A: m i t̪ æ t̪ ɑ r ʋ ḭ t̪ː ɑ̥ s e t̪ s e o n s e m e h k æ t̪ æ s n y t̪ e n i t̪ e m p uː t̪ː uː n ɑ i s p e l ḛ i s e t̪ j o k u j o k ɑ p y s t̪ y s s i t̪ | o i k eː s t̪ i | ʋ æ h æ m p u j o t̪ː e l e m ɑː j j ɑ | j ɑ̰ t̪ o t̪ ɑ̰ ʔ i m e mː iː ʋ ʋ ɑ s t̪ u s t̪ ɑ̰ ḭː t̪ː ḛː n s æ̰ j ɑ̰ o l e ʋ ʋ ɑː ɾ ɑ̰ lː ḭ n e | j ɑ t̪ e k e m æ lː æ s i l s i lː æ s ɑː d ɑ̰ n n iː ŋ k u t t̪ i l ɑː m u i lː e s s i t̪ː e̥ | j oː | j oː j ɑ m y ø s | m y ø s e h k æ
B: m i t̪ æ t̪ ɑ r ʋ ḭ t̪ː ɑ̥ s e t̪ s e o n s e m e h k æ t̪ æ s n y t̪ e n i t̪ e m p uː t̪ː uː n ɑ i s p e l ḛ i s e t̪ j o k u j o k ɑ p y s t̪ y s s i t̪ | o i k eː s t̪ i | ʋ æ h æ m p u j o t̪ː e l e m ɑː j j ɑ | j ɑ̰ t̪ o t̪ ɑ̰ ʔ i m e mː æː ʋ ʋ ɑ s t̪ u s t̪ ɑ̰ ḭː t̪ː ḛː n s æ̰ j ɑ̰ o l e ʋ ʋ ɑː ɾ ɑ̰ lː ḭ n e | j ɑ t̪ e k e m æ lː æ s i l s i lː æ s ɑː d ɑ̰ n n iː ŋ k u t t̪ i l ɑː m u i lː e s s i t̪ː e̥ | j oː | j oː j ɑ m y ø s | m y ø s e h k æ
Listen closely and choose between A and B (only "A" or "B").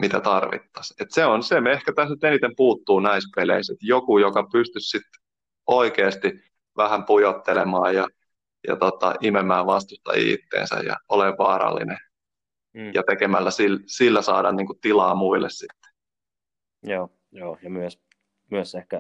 B